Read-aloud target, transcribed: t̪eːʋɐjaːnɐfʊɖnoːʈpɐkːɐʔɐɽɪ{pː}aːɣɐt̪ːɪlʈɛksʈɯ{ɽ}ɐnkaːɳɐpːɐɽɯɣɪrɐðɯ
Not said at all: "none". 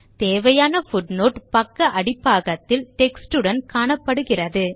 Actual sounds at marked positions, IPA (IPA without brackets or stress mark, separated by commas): pː, ɽ